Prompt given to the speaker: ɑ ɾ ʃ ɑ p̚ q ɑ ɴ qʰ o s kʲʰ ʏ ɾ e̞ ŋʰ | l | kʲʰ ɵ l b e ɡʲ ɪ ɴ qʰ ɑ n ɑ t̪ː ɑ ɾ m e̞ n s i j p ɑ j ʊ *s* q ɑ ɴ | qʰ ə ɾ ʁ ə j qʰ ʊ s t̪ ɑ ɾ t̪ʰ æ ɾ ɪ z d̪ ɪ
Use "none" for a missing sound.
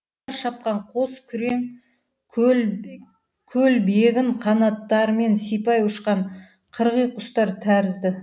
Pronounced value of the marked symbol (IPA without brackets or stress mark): ʃ